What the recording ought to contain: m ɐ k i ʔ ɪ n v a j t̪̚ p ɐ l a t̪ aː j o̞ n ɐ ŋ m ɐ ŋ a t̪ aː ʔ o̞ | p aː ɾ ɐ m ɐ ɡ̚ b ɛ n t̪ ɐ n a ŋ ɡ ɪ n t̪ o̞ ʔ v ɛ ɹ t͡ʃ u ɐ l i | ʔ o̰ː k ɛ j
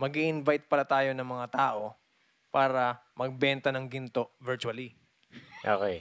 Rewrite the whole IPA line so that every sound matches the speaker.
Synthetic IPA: m ɐ ɡ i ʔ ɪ n v a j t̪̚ p ɐ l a t̪ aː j o̞ n ɐ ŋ m ɐ ŋ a t̪ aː ʔ o̞ | p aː ɾ ɐ m ɐ ɡ̚ b ɛ n t̪ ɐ n ɐ ŋ ɡ ɪ n t̪ o̞ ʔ v ɛ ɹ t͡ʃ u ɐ l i | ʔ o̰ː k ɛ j